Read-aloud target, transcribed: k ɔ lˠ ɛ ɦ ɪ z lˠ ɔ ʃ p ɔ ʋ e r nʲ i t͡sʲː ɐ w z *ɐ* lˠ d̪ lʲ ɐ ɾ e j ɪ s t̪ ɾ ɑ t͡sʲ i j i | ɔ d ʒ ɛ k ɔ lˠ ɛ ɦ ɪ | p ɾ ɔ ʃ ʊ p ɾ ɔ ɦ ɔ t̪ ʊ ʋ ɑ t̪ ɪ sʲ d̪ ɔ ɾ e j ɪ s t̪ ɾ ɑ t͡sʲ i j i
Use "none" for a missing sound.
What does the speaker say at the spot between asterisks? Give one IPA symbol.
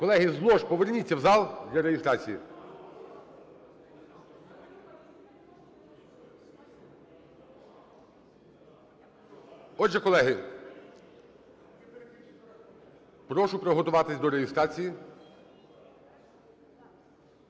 ɑ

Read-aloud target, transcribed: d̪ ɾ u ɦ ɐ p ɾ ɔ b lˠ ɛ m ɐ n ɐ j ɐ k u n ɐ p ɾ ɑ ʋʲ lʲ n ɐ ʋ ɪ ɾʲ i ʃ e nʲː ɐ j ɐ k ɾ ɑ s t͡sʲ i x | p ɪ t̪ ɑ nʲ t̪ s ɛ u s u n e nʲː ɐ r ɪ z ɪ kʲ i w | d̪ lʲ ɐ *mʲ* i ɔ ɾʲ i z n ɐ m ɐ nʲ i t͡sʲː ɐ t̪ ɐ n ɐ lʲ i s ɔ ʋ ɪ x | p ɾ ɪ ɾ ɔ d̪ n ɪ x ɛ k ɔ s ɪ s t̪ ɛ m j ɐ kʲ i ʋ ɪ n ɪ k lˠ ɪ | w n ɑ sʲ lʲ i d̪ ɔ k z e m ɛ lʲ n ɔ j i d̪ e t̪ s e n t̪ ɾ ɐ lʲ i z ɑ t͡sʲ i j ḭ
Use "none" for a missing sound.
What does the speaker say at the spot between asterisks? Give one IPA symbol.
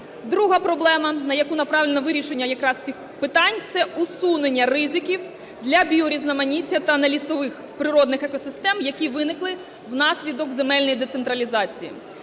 bʲ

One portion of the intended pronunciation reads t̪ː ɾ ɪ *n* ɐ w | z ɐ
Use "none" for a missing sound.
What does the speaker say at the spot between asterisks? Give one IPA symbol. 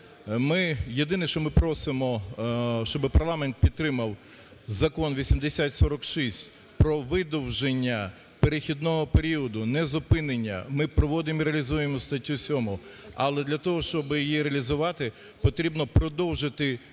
m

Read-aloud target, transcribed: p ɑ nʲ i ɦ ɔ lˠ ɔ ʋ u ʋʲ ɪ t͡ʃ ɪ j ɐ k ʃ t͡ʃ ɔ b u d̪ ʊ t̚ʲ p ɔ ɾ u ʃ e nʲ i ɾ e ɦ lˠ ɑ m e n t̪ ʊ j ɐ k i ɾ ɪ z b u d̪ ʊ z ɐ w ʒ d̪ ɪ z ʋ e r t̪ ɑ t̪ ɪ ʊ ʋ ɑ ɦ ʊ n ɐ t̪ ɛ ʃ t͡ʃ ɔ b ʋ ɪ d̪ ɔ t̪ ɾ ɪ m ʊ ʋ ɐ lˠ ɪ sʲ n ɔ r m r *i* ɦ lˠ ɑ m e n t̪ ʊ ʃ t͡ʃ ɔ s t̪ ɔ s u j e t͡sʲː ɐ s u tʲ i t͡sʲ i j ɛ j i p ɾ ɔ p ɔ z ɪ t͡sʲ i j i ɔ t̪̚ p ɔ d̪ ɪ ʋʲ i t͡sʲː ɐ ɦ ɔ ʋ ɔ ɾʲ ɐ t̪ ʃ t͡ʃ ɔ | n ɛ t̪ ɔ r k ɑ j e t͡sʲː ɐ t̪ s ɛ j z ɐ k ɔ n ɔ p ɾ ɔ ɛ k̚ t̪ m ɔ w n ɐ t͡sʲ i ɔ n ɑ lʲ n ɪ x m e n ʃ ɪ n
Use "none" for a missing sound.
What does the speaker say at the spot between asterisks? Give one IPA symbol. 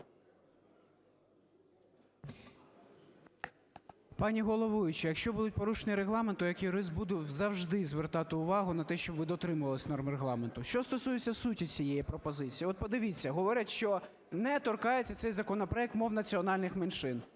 e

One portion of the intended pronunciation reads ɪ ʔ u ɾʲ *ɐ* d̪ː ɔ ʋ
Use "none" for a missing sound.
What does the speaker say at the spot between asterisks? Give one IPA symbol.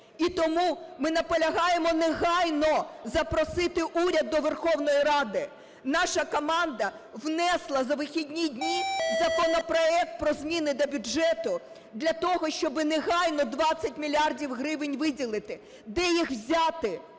ɐ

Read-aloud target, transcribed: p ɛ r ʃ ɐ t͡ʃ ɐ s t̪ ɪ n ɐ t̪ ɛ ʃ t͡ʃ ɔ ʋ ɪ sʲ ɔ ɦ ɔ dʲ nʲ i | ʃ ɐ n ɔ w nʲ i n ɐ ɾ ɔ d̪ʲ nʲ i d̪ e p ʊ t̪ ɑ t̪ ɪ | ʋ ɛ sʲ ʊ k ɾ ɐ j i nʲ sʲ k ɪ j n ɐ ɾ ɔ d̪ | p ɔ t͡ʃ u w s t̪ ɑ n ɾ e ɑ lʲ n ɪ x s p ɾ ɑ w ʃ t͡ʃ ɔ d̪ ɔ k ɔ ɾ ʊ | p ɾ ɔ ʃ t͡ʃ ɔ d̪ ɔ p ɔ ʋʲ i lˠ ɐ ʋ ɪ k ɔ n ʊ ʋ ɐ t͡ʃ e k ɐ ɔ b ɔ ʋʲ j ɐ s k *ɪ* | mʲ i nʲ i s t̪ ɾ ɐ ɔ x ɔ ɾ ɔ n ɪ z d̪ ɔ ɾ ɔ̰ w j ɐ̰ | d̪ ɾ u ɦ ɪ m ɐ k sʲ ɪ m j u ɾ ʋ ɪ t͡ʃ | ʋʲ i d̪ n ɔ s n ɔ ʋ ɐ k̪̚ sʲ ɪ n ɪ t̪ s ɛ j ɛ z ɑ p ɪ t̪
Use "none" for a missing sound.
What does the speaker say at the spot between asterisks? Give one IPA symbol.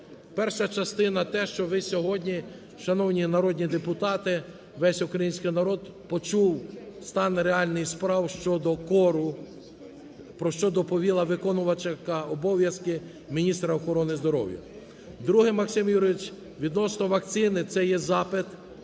ɪ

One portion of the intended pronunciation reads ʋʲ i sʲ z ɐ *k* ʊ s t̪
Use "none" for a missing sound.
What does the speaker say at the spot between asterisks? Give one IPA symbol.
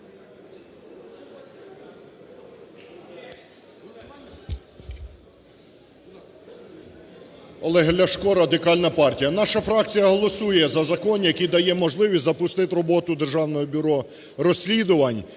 p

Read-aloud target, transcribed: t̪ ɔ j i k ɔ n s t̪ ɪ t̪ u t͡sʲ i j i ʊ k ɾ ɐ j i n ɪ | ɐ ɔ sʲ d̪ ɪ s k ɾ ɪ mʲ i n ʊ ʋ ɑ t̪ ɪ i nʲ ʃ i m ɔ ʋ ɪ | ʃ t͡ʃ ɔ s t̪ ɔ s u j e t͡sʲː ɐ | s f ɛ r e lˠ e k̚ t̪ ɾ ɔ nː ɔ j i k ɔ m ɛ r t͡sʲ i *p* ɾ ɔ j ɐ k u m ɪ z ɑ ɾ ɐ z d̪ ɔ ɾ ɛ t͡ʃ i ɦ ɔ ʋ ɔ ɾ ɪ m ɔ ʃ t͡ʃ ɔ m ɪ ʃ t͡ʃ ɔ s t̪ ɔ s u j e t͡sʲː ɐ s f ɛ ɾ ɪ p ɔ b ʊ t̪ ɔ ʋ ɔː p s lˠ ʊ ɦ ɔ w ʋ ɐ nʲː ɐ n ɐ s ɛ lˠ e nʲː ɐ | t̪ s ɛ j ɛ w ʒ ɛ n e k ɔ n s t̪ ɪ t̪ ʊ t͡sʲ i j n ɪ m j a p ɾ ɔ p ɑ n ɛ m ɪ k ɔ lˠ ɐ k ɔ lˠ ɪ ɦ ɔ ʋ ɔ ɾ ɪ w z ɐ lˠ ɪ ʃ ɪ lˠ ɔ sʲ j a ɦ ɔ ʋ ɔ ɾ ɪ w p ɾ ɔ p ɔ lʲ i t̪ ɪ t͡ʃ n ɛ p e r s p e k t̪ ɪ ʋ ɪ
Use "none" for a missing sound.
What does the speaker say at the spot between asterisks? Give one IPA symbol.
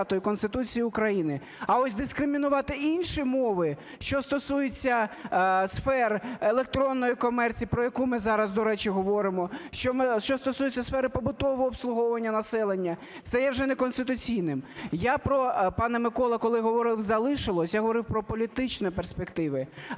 p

